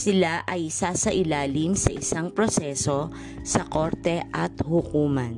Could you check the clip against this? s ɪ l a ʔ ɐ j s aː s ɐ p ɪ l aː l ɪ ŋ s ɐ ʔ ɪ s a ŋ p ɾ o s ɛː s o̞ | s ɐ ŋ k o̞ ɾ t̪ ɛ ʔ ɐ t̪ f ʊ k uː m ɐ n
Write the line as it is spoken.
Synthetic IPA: s ɪ l a ʔ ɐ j s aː s ɐ ʔ ɪ l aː l ɪ m s ɐ ʔ ɪ s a ŋ p ɾ o s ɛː s o̞ | s ɐ k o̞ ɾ t̪ ɛ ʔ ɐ t̪ h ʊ k uː m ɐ n